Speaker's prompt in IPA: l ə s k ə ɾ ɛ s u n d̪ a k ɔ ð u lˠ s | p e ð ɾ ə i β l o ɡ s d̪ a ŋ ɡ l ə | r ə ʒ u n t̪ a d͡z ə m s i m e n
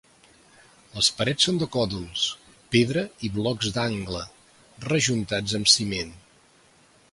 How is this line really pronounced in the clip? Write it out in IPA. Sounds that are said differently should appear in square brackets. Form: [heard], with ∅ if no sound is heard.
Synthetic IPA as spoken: l ə s [p] ə ɾ ɛ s [o] n d̪ [ə] k ɔ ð u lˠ s | p e ð ɾ ə i β l [ɔ] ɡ [z] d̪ a ŋ ɡ l ə | r ə ʒ u n t̪ a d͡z ə m s i m e n

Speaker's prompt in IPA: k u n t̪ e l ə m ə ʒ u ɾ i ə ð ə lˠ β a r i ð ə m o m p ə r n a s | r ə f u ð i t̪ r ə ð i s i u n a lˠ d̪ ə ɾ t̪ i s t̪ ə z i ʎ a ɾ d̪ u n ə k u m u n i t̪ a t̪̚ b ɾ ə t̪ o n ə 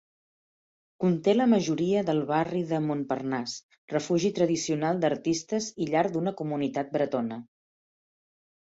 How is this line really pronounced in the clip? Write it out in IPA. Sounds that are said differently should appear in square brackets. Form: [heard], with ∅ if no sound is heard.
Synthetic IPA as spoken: k u n t̪ e l ə m ə ʒ u ɾ i ə ð ə lˠ β a r i ð ə m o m p ə r n a s | r ə f u [ʒ] i t̪ [ɾ] ə ð i s i u n a lˠ d̪ ə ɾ t̪ i s t̪ ə z i ʎ a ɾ d̪ u n ə k u m u n i t̪ a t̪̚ b ɾ ə t̪ o n ə

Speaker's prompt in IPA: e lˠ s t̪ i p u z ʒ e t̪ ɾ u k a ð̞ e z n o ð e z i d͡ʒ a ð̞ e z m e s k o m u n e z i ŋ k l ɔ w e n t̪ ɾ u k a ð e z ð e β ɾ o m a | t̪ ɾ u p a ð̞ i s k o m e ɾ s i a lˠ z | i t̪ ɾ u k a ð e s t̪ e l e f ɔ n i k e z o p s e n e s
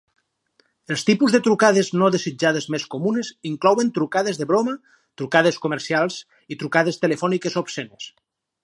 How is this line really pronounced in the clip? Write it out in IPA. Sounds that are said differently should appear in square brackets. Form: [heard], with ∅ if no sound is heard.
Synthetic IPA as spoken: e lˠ s t̪ i p u z [ð] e t̪ ɾ u k a ð̞ e z n o ð e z i d͡ʒ a ð̞ e z m e s k o m u n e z i ŋ k l ɔ w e n t̪ ɾ u k a ð e z ð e β ɾ o m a | t̪ ɾ u [k] a ð̞ [e] s k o m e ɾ s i a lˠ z | i t̪ ɾ u k a ð e s t̪ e l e f ɔ n i k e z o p s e n e s

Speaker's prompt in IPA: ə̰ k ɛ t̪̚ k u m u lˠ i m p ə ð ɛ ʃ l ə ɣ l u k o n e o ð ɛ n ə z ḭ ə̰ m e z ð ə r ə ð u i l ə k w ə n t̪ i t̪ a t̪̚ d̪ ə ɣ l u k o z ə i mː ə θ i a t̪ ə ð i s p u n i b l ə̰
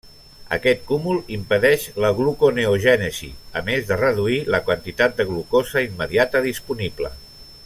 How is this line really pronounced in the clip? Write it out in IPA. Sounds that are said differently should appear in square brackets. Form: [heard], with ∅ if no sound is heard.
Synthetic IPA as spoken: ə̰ k ɛ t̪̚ k u m u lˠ i m p ə ð ɛ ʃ l ə ɣ l u k o n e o [ʒ] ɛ n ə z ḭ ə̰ m e z ð ə r ə ð u i l ə k w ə n t̪ i t̪ a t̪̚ d̪ ə ɣ l u k o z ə i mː ə [ð] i a t̪ ə ð i s p u n i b l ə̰

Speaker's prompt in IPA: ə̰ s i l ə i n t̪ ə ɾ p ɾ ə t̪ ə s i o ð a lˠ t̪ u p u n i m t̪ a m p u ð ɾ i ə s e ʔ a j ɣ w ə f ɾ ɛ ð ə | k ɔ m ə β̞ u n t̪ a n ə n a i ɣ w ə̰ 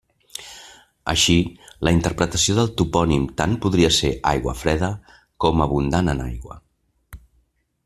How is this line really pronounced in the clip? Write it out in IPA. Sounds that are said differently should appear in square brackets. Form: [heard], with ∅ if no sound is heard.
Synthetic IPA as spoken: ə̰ [ʃ] i l ə i n t̪ ə ɾ p ɾ ə t̪ ə s i o ð [ə] lˠ t̪ u p [ɔ] n i m t̪ a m p u ð ɾ i ə s e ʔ a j ɣ w ə f ɾ ɛ ð ə | k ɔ m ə β̞ u n [d̪] a n ə n a [j] ɣ w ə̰

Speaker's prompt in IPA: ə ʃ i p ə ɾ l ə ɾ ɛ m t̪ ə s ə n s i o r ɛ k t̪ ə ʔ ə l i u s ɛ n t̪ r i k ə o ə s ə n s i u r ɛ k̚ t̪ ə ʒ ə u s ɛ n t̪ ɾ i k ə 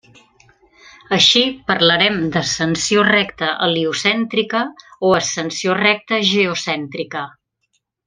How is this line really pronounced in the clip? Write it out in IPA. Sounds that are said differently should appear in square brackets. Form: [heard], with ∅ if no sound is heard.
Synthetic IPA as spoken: ə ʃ i p ə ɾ l ə ɾ ɛ m [d̪] ə s ə n s i o r ɛ k t̪ ə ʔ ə l i u s ɛ n t̪ [ɾ] i k ə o ə s ə n s i [o] r ɛ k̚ t̪ ə ʒ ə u s ɛ n t̪ ɾ i k ə

